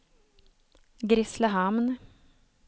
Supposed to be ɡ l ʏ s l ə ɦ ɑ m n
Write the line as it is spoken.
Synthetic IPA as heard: ɡ ɾ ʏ s l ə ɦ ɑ m n